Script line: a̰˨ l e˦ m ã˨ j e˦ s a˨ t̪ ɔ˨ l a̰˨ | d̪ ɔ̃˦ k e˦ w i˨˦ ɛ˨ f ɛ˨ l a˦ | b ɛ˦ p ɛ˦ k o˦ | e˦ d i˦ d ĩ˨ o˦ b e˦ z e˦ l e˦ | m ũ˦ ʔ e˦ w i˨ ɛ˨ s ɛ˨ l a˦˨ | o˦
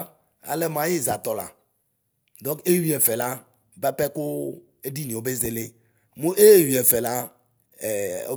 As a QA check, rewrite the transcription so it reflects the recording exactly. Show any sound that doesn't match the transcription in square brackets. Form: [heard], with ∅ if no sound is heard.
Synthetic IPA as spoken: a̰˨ l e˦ m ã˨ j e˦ [z] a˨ t̪ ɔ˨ l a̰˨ | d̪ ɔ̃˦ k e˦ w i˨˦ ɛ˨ f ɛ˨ l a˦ | b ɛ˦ p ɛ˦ k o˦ | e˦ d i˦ [n] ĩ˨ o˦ b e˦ z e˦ l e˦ | m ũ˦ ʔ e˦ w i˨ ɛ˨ [f] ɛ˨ l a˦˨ | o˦